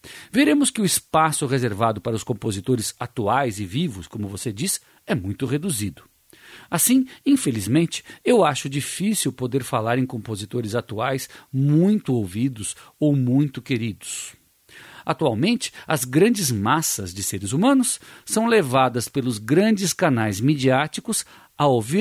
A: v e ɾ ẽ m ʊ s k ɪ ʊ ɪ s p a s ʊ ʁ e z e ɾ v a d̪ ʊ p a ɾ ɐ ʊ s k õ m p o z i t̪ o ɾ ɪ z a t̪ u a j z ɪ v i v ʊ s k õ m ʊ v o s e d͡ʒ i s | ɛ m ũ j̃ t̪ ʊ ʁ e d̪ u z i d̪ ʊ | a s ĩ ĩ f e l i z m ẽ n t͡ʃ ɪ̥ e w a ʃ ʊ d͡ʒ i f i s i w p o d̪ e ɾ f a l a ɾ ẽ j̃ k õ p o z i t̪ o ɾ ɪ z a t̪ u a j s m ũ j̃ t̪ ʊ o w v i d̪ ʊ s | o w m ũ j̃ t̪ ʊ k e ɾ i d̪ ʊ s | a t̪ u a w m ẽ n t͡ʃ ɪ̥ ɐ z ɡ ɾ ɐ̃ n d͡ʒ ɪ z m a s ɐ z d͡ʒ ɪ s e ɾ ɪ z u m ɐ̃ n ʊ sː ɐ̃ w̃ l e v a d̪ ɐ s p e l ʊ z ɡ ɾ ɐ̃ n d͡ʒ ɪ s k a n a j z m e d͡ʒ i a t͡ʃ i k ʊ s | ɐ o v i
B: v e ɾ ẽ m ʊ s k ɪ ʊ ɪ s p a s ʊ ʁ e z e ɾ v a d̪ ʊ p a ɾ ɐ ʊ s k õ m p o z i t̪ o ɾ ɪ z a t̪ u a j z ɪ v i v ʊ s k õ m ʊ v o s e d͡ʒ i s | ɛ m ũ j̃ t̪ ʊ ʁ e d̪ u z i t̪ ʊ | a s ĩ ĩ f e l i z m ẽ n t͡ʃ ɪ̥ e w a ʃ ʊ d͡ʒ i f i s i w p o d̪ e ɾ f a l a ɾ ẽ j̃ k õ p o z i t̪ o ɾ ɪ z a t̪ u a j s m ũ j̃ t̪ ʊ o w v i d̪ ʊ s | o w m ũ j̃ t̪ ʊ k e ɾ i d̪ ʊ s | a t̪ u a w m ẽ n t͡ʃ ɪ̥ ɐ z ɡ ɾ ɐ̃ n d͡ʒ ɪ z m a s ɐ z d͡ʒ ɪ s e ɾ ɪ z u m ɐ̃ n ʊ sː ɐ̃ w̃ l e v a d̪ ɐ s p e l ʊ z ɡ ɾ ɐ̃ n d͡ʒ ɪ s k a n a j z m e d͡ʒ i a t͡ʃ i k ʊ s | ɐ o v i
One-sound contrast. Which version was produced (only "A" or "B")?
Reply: A